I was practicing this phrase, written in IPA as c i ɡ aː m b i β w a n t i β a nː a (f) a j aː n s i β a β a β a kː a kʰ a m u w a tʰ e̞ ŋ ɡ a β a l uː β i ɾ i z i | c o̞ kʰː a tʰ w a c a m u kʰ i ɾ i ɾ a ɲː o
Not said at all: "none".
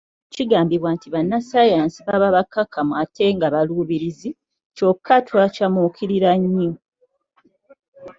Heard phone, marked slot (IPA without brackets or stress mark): s